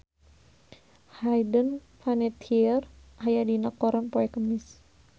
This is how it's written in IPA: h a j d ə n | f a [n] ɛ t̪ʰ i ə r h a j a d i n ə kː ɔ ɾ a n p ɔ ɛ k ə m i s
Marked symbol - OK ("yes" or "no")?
yes